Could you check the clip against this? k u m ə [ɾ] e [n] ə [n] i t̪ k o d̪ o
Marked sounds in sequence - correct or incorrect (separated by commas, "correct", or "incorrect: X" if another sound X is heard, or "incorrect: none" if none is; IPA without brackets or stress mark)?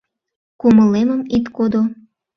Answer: incorrect: l, incorrect: m, incorrect: m